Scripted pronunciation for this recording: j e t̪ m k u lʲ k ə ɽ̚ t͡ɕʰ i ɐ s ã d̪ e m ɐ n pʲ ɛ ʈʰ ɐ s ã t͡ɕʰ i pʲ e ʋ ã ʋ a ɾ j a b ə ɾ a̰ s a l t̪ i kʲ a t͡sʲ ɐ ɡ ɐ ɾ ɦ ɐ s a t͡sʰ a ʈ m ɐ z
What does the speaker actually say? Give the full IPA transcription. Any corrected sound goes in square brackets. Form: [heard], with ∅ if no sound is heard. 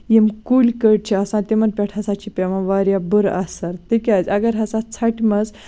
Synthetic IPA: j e [∅] m k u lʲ k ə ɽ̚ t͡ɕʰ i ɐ s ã [t̪] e m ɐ n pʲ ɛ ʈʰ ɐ s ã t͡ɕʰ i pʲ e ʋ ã ʋ a ɾ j a b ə ɾ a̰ s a [ɾ] t̪ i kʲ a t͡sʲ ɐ ɡ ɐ ɾ ɦ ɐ s a t͡sʰ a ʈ m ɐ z